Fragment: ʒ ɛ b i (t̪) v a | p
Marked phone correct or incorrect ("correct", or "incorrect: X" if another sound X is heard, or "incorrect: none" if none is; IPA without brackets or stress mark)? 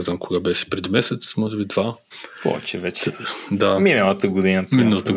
incorrect: d̪